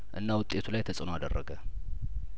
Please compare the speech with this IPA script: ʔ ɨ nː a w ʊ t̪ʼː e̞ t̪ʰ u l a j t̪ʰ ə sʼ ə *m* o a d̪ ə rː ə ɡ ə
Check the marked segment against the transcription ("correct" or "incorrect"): incorrect